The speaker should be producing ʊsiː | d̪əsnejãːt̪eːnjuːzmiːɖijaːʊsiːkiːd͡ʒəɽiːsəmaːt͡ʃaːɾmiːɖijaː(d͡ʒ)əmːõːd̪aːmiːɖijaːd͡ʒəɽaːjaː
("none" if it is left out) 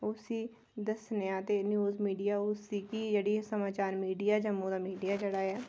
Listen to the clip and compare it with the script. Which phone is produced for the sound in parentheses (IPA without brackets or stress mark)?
d͡ʒ